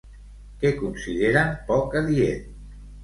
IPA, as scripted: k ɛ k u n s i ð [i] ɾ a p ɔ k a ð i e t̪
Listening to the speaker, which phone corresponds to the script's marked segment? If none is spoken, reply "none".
e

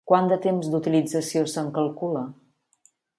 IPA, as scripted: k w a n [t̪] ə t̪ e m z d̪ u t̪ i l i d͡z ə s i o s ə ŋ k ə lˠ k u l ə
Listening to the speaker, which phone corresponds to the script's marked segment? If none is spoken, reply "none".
d̪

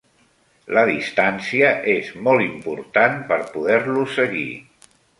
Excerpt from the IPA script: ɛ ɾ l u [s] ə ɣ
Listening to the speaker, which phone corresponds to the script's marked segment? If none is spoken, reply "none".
s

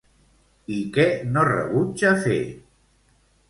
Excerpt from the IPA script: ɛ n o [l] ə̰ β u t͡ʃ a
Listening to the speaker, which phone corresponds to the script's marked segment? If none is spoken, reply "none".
r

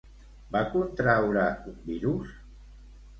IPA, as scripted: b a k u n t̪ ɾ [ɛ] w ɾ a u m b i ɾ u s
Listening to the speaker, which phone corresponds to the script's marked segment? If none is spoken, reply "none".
a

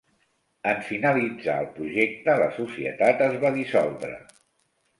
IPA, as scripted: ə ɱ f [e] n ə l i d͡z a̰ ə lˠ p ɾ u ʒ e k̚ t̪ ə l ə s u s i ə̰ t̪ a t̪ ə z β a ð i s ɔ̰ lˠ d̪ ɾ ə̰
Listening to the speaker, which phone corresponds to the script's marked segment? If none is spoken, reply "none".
i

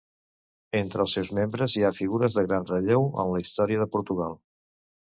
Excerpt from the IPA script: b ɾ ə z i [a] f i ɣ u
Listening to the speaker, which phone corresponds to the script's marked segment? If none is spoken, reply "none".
a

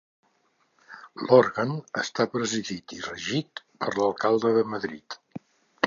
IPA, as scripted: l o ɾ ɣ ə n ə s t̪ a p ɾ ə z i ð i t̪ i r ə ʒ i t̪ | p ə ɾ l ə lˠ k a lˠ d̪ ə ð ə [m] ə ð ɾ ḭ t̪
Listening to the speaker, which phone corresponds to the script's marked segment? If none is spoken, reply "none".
m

